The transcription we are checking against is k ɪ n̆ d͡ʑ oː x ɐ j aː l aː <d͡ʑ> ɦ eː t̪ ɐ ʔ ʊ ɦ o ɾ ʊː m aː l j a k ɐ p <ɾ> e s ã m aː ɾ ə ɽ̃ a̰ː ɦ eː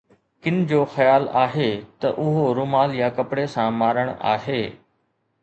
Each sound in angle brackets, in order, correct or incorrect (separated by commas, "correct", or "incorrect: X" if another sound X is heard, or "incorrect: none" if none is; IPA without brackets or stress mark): incorrect: none, incorrect: ɽ